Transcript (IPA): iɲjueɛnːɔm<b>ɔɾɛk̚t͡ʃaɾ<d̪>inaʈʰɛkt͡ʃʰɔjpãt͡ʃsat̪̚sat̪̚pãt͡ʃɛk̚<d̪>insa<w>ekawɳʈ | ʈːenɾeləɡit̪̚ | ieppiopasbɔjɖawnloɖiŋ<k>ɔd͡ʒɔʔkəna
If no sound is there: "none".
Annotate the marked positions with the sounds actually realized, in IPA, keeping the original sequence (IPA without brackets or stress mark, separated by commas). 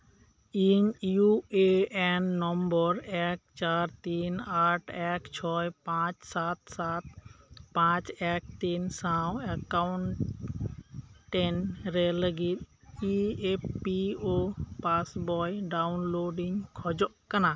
b, t̪, t̪, w, kʰ